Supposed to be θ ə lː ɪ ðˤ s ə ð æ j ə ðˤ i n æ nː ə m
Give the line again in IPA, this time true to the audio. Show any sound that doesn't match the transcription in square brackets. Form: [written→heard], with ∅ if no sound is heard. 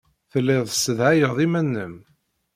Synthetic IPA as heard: θ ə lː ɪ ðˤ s ə ð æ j ə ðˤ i [n→m] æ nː ə m